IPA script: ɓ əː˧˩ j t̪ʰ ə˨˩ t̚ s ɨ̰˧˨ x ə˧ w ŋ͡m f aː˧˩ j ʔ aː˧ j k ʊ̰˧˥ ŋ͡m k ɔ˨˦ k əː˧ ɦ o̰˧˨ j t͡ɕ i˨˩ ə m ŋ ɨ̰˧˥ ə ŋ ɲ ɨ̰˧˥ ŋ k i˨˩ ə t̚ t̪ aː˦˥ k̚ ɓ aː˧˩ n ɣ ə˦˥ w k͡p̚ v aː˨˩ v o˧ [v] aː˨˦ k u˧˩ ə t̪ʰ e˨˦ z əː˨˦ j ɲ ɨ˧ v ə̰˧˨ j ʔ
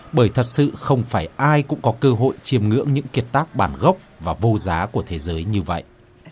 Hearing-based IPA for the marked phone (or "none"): z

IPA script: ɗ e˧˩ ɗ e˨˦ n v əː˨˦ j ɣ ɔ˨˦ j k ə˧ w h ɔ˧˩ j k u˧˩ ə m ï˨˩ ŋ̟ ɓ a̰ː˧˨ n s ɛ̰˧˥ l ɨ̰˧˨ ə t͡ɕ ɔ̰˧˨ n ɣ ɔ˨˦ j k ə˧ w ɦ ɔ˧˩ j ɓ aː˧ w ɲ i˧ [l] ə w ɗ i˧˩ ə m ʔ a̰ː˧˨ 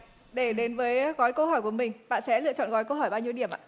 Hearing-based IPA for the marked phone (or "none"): none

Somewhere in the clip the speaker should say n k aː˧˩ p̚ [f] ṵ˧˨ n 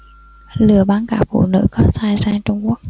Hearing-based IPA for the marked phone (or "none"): f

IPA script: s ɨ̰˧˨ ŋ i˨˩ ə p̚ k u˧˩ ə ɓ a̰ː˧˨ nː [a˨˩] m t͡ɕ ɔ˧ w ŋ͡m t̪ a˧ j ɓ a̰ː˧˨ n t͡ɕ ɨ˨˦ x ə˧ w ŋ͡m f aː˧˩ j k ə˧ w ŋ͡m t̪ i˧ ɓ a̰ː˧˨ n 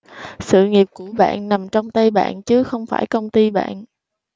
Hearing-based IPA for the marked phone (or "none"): a˨˩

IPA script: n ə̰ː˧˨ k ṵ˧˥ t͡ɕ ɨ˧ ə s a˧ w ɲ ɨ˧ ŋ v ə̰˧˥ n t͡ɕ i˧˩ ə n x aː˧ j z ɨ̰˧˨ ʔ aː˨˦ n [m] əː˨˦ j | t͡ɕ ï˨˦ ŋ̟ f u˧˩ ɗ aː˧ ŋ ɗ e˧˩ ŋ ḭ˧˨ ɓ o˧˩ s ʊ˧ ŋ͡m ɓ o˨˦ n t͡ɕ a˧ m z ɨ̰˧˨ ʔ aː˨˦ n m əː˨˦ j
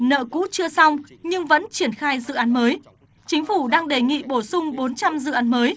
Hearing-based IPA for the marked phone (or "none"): m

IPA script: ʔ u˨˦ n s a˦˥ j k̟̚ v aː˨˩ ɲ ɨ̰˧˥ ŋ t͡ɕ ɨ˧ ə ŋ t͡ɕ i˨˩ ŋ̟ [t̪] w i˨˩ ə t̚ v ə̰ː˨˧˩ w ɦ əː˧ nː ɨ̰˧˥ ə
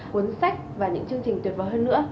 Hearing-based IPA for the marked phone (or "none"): t̪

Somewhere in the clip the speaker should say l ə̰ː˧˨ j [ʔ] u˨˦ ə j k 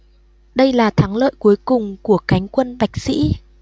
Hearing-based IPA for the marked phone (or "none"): k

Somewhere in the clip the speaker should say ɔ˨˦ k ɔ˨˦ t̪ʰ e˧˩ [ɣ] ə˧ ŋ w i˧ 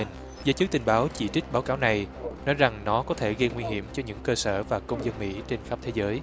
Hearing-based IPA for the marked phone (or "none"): ɣ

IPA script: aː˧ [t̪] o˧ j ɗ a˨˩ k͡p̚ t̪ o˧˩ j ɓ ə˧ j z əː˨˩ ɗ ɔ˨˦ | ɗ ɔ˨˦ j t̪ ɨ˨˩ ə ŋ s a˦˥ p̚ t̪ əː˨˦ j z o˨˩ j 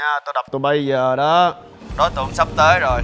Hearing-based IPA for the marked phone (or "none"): t̪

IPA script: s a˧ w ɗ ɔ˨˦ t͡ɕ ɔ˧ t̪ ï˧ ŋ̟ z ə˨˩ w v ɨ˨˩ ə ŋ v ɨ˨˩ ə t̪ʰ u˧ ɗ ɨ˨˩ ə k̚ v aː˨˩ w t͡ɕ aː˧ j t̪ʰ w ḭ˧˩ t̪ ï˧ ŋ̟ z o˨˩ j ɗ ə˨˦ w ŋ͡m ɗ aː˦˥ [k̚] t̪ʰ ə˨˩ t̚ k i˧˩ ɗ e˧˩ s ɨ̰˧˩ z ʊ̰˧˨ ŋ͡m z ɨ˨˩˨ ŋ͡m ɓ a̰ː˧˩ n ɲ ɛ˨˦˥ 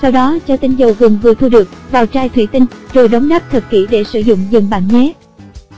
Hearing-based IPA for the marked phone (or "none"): p̚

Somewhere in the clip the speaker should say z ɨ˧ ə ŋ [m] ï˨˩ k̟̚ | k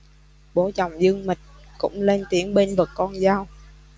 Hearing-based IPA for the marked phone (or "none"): m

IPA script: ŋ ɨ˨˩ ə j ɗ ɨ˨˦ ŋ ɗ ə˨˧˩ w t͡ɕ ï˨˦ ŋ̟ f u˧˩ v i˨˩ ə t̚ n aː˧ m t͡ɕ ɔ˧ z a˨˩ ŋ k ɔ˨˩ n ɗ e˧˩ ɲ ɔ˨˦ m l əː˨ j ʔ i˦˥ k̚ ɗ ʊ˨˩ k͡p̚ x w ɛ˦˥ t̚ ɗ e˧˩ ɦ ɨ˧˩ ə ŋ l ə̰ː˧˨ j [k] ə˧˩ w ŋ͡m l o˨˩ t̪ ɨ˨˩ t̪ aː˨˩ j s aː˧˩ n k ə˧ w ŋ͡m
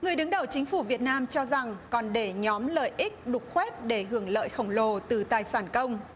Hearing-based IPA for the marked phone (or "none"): x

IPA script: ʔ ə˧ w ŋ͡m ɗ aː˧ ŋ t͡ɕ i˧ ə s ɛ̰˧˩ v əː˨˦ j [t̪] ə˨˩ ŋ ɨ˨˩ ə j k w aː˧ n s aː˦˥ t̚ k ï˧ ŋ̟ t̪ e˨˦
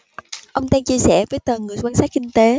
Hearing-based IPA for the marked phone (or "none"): t̪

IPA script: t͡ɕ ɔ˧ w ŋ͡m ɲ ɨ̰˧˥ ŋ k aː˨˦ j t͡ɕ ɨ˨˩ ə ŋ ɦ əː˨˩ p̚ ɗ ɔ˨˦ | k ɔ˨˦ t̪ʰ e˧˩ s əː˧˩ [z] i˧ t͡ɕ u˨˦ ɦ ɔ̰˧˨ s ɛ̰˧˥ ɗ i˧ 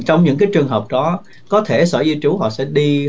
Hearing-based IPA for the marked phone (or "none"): z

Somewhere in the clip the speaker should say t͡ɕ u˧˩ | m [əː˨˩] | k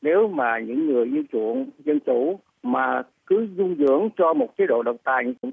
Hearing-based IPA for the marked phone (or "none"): aː˨˩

